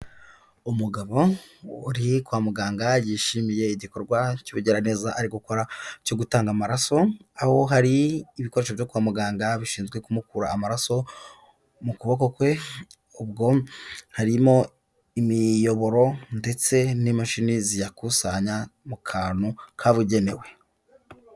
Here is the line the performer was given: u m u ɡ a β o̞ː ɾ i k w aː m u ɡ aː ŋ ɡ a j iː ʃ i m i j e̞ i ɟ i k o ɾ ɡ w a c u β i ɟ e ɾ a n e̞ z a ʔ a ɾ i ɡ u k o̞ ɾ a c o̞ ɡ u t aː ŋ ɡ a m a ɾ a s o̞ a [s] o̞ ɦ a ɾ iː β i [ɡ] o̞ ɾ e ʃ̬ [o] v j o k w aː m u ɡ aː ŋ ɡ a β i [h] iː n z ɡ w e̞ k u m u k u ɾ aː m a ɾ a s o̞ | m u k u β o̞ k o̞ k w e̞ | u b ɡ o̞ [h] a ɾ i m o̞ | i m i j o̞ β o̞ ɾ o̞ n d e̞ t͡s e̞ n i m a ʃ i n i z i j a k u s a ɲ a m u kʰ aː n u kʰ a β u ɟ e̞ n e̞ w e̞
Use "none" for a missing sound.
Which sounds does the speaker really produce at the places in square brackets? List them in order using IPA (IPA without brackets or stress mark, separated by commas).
h, k, o, ʃ, h